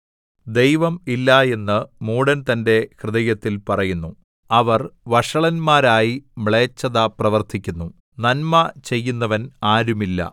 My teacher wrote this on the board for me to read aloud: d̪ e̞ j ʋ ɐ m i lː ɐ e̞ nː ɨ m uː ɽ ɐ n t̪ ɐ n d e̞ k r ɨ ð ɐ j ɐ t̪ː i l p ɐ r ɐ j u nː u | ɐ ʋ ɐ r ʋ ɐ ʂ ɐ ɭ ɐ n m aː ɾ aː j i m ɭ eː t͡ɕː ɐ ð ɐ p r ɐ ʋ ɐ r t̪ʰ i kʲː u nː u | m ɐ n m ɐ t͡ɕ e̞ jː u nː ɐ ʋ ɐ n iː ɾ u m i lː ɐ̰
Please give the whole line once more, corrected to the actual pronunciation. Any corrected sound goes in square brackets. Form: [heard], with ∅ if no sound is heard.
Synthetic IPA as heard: d̪ e̞ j ʋ ɐ m i lː ɐ e̞ nː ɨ m uː ɽ ɐ n t̪ ɐ n d e̞ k r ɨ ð ɐ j ɐ t̪ː i l p ɐ r ɐ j u nː u | ɐ ʋ ɐ r ʋ ɐ ʂ ɐ ɭ ɐ n m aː ɾ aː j i m ɭ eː t͡ɕː ɐ ð ɐ p r ɐ ʋ ɐ r t̪ʰ i kʲː u nː u | [n] ɐ n m ɐ t͡ɕ e̞ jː u nː ɐ ʋ ɐ n [aː] ɾ u m i lː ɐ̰

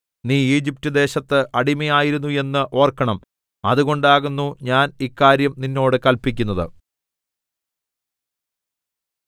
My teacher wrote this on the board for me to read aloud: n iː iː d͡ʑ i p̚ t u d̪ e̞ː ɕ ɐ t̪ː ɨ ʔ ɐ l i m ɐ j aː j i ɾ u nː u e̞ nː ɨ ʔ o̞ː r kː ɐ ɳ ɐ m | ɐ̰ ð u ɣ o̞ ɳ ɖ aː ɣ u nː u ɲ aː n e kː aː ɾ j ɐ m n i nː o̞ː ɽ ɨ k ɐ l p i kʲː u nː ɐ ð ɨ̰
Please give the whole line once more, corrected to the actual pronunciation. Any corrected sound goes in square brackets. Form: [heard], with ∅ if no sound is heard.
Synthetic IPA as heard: n iː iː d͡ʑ i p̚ t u d̪ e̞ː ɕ ɐ t̪ː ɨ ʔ ɐ [ɽ] i m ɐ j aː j i ɾ u nː u e̞ nː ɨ ʔ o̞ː r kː ɐ ɳ ɐ m | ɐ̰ ð u ɣ o̞ ɳ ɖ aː ɣ u nː u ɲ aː n [i] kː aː ɾ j ɐ m n i nː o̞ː ɽ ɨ k ɐ l p i kʲː u nː ɐ ð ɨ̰

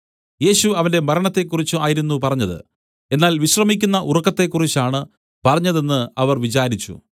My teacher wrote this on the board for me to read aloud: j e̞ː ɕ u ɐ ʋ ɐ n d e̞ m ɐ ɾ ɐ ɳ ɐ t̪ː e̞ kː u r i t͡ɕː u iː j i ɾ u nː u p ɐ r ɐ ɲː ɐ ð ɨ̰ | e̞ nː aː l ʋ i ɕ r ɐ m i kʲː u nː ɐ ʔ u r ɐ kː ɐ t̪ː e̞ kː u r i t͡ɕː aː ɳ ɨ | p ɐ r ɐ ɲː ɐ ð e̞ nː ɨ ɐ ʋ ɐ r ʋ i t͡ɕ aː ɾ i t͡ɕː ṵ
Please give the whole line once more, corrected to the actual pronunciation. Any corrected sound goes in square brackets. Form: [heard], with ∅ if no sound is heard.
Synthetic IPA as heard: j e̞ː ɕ u ɐ ʋ ɐ n d e̞ m ɐ ɾ ɐ ɳ ɐ t̪ː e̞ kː u r i t͡ɕː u [aː] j i ɾ u nː u p ɐ r ɐ ɲː ɐ ð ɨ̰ | e̞ nː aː l ʋ i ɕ r ɐ m i kʲː u nː ɐ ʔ u r ɐ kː ɐ t̪ː e̞ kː u r i t͡ɕː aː ɳ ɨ | p ɐ r ɐ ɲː ɐ ð e̞ nː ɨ ɐ ʋ ɐ r ʋ i t͡ɕ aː ɾ i t͡ɕː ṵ

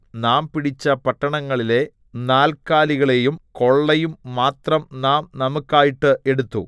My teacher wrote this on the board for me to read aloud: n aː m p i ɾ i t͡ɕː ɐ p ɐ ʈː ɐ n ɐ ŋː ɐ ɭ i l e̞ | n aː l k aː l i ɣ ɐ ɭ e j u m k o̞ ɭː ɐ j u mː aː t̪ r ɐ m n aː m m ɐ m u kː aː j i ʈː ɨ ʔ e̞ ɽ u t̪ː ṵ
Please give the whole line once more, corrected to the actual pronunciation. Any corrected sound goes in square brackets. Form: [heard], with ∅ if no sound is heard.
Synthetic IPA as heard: n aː m p i [ɽ] i t͡ɕː ɐ p ɐ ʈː ɐ [ɳ] ɐ ŋː ɐ ɭ i l e̞ | n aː l k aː l i ɣ ɐ ɭ e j u m k o̞ ɭː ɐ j u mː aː t̪ r ɐ m n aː m [n] ɐ m u kː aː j i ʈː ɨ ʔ e̞ ɽ u t̪ː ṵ

